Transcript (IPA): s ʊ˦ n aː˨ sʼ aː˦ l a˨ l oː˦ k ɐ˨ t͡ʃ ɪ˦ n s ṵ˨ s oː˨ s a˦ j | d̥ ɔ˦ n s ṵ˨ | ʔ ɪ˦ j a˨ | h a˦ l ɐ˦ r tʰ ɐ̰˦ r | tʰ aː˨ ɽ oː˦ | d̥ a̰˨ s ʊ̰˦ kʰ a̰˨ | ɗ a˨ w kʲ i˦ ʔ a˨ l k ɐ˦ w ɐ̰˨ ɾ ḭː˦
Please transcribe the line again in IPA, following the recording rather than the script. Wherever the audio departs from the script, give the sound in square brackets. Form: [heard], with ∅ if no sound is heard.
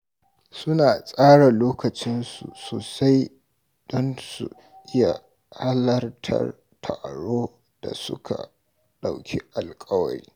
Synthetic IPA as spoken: s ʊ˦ n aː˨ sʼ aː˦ [ɽ] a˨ l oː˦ k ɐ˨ t͡ʃ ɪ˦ n s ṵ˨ s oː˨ s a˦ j | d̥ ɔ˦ n s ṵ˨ | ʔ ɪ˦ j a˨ | h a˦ l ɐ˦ r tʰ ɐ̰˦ r | tʰ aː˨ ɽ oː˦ | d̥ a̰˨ s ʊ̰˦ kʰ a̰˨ | ɗ a˨ w kʲ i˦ ʔ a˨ l [kʼ] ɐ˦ w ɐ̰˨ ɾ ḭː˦